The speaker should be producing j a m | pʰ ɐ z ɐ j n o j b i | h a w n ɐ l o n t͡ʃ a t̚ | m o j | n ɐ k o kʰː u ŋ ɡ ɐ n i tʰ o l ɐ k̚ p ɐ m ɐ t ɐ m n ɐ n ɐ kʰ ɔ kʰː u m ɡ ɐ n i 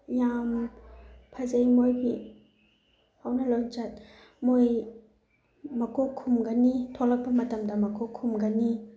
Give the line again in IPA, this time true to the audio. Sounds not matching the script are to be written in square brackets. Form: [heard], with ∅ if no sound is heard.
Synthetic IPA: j a m | pʰ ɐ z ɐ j [m] o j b i | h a w n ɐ l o n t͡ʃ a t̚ | m o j | [m] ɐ k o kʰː u [m] ɡ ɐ n i tʰ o l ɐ k̚ p ɐ m ɐ t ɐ m [d] ɐ [m] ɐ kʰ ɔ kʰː u m ɡ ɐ n i